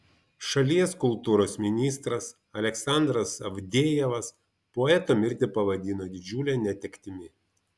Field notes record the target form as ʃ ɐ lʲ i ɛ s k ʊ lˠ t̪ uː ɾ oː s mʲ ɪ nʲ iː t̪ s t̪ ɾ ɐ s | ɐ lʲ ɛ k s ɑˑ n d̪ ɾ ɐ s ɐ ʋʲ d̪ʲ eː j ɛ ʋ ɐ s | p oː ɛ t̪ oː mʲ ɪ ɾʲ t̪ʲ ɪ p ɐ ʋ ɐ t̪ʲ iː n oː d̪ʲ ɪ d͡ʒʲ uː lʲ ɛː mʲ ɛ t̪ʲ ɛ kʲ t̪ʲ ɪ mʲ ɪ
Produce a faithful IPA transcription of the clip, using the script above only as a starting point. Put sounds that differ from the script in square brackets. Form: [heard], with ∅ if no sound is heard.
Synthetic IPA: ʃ ɐ lʲ i ɛ s k ʊ lˠ t̪ uː ɾ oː s mʲ ɪ nʲ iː [∅] s t̪ ɾ ɐ s | ɐ lʲ ɛ k s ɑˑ n d̪ ɾ ɐ s ɐ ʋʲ d̪ʲ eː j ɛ ʋ ɐ s | p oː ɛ t̪ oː mʲ ɪ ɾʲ t̪ʲ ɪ p ɐ ʋ ɐ [d̪ʲ] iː n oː d̪ʲ ɪ d͡ʒʲ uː lʲ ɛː [nʲ] ɛ t̪ʲ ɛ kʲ t̪ʲ ɪ mʲ ɪ